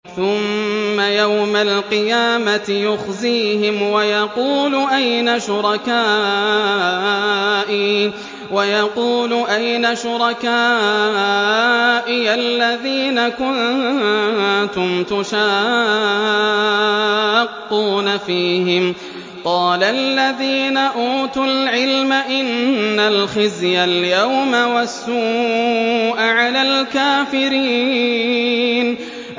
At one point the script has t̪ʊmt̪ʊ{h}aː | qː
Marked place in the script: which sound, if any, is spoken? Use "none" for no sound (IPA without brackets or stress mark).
ʃ